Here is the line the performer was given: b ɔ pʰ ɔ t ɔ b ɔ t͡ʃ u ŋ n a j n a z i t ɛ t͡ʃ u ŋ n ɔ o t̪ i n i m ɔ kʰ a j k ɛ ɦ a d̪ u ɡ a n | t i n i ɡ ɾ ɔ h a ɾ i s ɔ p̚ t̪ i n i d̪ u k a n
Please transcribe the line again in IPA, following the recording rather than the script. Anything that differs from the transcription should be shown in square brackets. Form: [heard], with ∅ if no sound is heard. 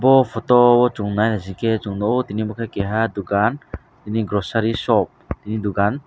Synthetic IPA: b ɔ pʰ ɔ t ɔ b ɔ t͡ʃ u ŋ n a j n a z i [k] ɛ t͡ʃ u ŋ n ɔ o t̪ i n i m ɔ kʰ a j k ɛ ɦ a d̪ u ɡ a n | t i n i ɡ ɾ ɔ [s] a ɾ i s ɔ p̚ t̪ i n i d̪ u [ɡ] a n